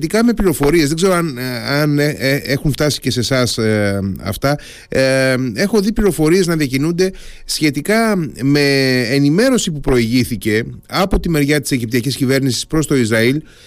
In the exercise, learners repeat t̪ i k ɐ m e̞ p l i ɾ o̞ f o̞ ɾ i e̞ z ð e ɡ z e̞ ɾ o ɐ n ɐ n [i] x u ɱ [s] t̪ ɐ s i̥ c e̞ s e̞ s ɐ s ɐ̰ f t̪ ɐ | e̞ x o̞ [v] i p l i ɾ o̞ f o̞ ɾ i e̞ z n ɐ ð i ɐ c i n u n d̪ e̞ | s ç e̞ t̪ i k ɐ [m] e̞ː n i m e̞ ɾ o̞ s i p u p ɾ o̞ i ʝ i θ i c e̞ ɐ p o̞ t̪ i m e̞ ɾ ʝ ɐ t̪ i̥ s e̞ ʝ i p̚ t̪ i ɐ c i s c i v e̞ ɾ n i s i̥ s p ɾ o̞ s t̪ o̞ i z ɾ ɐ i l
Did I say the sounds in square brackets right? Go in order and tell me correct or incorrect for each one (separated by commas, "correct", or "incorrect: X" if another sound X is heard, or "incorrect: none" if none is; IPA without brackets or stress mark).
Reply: incorrect: e, incorrect: f, incorrect: ð, correct